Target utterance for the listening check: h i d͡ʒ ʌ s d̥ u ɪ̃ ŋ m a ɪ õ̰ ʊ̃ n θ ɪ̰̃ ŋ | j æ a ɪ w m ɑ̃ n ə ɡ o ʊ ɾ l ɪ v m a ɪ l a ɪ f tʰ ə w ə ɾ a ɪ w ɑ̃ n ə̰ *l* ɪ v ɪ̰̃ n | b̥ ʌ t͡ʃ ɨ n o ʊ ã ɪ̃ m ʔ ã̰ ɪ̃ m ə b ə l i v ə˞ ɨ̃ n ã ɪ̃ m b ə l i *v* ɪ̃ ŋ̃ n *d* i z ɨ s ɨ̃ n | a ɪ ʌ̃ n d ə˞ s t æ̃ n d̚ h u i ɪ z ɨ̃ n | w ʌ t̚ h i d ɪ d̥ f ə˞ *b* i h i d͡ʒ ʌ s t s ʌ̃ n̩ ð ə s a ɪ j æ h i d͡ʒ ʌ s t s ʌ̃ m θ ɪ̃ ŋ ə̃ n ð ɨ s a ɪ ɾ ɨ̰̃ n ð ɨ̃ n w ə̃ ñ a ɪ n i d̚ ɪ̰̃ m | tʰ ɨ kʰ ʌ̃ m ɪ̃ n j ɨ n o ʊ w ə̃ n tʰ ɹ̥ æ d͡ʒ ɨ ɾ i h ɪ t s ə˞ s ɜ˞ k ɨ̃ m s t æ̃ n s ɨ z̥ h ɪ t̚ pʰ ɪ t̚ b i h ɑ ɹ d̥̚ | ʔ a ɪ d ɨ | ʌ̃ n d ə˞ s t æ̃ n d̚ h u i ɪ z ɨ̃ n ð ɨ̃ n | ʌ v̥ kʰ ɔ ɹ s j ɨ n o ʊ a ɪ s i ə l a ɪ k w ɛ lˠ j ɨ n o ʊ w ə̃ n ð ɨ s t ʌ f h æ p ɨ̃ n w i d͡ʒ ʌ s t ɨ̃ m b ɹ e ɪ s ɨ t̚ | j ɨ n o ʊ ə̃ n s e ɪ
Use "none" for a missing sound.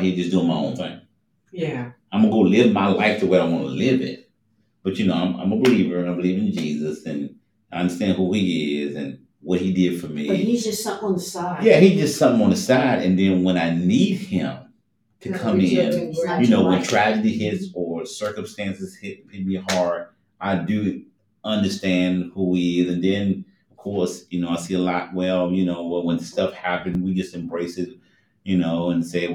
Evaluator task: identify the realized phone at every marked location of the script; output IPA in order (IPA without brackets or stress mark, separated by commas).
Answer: l, v, d͡ʒ, m